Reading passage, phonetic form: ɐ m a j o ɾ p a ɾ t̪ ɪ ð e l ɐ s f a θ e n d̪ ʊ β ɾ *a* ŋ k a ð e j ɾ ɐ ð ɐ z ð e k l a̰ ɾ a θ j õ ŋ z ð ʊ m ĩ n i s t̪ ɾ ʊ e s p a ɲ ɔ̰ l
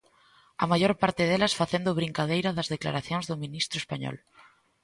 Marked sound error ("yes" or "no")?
yes